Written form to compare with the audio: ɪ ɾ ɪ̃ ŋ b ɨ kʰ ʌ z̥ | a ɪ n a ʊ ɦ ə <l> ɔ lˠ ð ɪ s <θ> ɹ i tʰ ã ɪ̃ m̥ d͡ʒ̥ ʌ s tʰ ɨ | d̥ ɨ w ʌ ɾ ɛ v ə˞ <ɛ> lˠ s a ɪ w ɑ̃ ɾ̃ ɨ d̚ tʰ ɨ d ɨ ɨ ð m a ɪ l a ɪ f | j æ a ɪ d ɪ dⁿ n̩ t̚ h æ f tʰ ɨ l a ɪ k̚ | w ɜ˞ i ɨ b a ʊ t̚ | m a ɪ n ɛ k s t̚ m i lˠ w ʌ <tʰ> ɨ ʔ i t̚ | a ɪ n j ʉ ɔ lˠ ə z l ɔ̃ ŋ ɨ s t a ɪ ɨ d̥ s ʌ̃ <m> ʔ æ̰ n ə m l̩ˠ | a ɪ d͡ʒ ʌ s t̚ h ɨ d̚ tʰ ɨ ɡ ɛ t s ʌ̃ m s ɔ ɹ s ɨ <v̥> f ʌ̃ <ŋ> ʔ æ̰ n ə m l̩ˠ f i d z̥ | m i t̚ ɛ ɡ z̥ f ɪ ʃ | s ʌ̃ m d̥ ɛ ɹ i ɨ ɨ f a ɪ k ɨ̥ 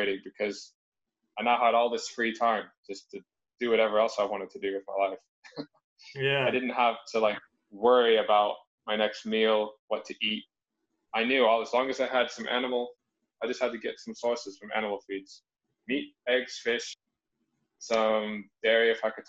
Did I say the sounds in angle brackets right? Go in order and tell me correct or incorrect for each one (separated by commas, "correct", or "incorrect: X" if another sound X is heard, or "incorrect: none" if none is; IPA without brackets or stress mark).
incorrect: ɾ, incorrect: f, correct, correct, correct, incorrect: z̥, incorrect: m